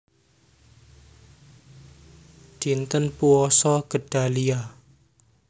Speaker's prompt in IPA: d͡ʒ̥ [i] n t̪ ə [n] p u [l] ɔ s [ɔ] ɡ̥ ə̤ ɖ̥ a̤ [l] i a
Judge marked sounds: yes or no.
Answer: yes, yes, no, yes, yes

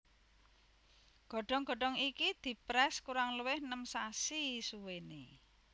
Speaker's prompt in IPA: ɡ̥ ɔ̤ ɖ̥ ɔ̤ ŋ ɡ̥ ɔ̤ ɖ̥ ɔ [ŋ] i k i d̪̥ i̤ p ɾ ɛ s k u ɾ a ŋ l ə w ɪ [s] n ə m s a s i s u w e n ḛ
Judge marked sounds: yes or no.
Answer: yes, no

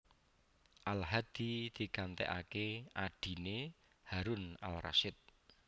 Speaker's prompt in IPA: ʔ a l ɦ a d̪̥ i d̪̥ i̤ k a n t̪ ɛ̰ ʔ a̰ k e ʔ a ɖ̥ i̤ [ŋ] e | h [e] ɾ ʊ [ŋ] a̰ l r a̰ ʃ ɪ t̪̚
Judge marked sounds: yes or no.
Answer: no, no, no

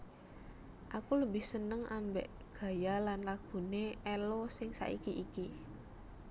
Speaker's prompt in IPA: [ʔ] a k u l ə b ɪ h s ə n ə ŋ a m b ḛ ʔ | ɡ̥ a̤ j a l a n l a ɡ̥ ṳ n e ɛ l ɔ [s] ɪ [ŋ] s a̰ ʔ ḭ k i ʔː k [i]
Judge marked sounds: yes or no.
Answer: yes, yes, yes, yes

